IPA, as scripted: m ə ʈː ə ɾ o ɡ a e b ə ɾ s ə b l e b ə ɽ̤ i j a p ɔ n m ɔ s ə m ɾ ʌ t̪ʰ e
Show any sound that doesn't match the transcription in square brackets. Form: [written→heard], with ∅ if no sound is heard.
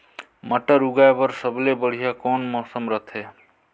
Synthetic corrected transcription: m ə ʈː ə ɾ [o→u] ɡ a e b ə ɾ s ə b l e b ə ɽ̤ i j a [p→k] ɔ n m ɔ s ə m ɾ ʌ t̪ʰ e